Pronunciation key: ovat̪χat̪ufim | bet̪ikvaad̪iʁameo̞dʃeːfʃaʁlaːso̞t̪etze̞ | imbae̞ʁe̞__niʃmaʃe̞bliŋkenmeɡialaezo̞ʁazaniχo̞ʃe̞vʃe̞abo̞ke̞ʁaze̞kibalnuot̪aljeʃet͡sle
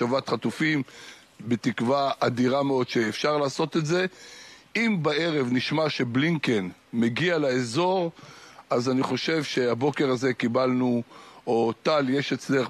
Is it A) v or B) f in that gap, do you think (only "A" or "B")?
A